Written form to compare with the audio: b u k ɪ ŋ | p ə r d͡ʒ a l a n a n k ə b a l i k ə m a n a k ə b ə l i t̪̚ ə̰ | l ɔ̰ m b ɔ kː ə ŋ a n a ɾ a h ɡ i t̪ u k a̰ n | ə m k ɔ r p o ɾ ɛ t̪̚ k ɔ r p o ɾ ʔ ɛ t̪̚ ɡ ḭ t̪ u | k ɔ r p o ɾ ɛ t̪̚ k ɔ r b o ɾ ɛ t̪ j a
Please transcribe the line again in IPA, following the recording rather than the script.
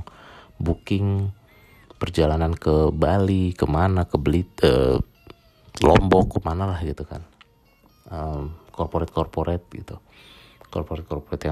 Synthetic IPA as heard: b u k ɪ ŋ | p ə r d͡ʒ a l a n a n k ə b a l i k ə m a n a k ə b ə l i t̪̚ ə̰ | l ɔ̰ m b ɔ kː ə m a n a l a h ɡ i t̪ u k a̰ n | ə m k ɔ r p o ɾ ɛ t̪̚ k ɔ r p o ɾ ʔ ɛ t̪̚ ɡ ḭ t̪ u | k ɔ r p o ɾ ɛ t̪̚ k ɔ r p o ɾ ɛ t̪ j a